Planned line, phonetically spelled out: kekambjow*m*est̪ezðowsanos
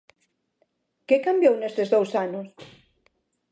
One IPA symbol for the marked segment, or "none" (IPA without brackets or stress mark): n